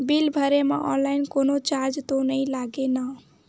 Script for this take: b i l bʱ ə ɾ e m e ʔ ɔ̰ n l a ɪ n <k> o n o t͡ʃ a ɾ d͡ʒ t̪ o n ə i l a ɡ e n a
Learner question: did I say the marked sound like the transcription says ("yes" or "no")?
yes